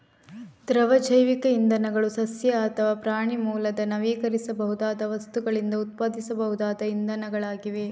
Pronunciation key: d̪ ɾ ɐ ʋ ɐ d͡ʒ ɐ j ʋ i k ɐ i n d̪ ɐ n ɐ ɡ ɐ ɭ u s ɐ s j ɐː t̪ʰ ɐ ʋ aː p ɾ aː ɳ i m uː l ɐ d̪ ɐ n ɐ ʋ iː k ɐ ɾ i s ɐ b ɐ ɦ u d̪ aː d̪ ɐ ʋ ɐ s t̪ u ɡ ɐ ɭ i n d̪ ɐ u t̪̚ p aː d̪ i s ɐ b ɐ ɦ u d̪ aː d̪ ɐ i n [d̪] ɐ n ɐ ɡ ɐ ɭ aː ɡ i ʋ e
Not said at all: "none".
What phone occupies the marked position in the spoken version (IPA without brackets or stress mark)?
d̪